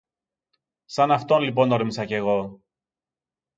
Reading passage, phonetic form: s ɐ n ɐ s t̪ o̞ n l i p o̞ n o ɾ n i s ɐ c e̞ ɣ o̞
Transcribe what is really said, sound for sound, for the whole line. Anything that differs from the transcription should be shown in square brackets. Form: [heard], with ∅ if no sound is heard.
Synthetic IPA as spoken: s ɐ n ɐ [f] t̪ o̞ n l i p o̞ n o ɾ [m] i s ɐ c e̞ ɣ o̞